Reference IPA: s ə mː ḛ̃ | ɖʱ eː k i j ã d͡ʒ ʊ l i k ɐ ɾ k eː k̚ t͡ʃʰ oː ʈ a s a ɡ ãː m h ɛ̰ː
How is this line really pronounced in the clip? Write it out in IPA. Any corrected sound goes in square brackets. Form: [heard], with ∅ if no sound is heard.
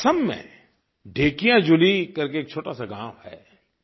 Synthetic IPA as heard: s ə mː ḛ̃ | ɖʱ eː k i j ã d͡ʒ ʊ l i k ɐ ɾ k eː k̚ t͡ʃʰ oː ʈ a s a ɡ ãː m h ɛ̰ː